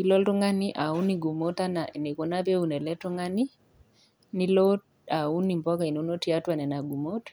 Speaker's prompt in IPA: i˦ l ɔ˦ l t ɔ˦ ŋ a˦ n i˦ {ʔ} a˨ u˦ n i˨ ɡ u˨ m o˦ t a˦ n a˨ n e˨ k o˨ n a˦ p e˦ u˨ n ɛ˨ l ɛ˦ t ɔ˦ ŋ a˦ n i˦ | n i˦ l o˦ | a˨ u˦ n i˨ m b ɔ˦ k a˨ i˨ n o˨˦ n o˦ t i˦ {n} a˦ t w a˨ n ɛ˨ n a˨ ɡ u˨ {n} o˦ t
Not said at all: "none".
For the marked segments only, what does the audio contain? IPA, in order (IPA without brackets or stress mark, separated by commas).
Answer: ʔ, none, m